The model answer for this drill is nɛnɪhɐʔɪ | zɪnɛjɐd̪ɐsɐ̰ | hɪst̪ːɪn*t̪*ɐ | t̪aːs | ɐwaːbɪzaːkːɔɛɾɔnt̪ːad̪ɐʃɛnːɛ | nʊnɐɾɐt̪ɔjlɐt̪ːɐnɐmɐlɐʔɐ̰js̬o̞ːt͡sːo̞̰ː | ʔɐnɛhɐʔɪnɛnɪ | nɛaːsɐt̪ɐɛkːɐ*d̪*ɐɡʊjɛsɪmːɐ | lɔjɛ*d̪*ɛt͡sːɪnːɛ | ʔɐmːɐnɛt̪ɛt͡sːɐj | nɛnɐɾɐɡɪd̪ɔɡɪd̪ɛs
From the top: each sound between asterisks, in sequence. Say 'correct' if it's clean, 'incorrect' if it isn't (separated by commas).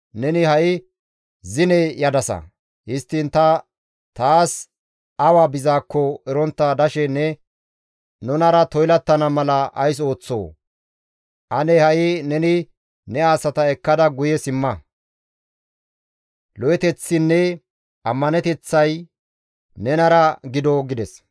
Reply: correct, correct, incorrect